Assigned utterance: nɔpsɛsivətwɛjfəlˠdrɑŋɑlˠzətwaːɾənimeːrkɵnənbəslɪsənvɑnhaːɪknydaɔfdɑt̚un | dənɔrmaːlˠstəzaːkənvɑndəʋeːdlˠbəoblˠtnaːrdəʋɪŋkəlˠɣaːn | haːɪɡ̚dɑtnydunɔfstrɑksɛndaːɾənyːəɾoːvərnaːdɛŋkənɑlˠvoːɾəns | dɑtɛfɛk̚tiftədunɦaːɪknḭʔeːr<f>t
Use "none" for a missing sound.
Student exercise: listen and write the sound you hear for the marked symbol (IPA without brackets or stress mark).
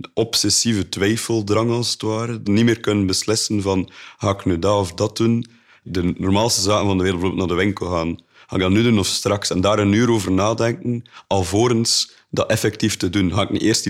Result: s